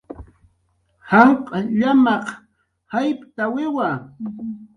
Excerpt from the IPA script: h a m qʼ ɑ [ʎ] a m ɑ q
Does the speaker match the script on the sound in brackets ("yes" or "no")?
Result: yes